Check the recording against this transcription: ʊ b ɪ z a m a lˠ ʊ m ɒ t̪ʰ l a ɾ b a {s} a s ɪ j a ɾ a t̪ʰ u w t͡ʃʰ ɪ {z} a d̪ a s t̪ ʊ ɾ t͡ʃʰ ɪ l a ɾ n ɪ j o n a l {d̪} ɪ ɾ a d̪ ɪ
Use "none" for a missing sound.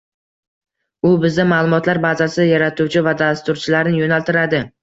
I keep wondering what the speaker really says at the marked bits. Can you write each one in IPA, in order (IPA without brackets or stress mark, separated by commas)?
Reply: z, v, t̪